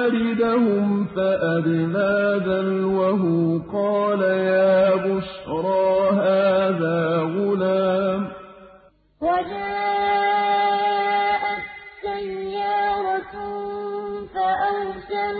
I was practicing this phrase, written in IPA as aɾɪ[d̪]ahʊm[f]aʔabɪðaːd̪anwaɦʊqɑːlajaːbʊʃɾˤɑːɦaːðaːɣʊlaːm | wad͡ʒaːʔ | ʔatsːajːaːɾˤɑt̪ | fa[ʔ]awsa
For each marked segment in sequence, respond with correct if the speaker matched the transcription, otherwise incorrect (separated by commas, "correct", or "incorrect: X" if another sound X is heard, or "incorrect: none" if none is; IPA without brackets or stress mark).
correct, correct, correct